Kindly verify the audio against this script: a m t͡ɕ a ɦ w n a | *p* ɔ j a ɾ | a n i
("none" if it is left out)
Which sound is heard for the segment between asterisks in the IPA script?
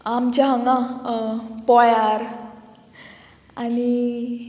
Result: p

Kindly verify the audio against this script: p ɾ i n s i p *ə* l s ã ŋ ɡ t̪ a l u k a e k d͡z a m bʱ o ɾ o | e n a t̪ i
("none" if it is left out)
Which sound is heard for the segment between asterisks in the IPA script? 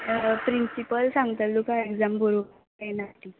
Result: ə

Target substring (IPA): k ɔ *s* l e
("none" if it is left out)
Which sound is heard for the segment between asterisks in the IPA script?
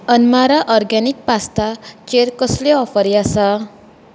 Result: s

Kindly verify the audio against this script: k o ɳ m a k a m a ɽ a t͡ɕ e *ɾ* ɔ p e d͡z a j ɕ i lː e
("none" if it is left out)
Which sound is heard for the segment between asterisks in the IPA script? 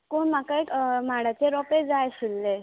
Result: ɾ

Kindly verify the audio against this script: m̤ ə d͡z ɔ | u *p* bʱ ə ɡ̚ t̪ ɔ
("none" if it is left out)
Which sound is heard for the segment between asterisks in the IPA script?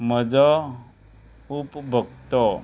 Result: p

